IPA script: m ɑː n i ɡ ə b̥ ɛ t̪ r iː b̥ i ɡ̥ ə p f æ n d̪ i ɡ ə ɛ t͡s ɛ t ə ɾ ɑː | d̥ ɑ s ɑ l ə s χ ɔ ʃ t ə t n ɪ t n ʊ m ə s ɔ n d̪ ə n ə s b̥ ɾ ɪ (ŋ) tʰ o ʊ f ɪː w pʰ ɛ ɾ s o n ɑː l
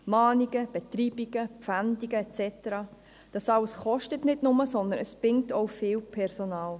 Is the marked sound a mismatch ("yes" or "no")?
no